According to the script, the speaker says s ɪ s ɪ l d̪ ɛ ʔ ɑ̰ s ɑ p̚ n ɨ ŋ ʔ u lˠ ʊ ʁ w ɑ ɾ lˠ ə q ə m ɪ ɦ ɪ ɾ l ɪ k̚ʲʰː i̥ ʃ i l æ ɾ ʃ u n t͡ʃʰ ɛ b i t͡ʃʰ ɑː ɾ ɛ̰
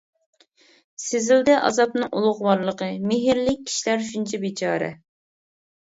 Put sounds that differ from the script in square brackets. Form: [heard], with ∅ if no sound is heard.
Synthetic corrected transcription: s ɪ [z] ɪ l d̪ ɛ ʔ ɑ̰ [z] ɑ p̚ n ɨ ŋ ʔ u lˠ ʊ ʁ w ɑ ɾ lˠ ə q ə m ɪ ɦ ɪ ɾ l ɪ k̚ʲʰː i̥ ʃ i l æ ɾ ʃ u n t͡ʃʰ ɛ b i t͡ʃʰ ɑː ɾ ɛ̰